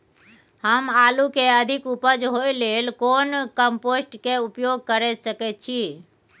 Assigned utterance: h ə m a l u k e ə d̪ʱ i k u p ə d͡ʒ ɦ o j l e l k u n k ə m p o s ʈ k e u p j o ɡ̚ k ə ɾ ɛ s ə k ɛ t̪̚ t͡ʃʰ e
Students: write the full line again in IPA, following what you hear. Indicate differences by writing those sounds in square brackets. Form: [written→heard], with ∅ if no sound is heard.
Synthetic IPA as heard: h ə m a l u k e ə d̪ʱ i k u p ə d͡ʒ ɦ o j l e l k [u→o] n k ə m p o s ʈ k e u p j o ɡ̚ k ə ɾ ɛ s ə k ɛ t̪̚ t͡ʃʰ [e→i]